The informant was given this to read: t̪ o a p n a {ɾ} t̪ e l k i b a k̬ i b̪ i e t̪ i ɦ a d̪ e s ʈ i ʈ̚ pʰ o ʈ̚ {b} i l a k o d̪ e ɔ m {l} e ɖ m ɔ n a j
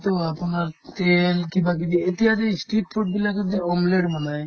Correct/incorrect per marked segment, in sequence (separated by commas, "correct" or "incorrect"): correct, correct, correct